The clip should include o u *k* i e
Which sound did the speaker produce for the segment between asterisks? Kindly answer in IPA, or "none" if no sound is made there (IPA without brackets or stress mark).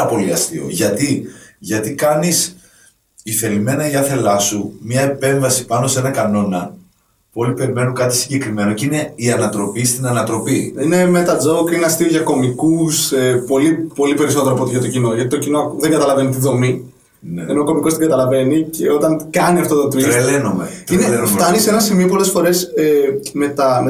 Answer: k